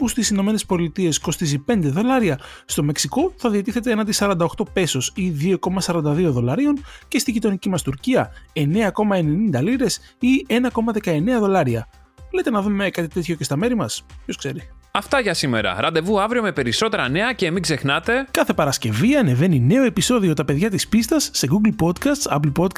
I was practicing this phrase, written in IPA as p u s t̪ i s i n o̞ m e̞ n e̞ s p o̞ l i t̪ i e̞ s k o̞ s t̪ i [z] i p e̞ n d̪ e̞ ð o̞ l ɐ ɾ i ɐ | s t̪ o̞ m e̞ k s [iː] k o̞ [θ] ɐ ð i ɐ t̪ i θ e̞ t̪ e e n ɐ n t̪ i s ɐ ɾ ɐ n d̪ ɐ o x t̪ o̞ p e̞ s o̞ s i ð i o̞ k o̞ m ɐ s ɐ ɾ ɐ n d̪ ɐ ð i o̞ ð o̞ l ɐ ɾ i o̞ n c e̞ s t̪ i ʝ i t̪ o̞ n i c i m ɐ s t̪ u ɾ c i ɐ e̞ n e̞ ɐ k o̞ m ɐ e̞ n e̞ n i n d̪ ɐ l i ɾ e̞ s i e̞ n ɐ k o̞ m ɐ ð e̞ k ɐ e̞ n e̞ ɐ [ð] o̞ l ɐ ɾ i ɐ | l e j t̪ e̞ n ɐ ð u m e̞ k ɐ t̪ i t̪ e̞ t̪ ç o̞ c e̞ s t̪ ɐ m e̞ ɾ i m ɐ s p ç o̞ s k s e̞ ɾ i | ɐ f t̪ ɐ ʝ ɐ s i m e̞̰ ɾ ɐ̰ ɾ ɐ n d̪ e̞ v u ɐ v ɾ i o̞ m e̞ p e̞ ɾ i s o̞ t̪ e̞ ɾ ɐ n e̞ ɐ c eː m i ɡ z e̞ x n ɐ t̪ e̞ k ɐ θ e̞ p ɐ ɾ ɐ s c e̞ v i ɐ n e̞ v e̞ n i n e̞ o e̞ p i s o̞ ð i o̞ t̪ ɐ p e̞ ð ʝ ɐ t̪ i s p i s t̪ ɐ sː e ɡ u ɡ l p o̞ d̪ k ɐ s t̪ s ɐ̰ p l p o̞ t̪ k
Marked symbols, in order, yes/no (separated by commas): yes, no, yes, yes